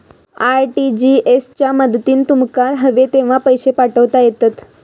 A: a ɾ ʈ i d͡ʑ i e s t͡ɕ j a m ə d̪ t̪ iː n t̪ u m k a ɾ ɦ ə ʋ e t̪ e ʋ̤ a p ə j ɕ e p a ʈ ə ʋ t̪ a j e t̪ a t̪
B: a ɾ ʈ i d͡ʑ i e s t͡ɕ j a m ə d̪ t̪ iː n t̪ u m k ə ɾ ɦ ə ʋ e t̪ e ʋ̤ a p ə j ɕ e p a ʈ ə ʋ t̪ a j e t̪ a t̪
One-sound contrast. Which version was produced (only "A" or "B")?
A